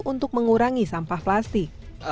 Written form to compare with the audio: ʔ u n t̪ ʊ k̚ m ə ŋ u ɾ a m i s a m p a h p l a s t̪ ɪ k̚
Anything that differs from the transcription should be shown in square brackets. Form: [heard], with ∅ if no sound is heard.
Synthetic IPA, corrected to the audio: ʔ u n t̪ ʊ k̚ m ə ŋ u ɾ a [ŋ] i s a m p a h p l a s t̪ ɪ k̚